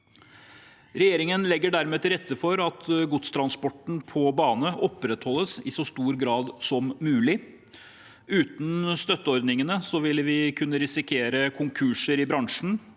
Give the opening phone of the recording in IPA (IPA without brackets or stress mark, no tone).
ɾ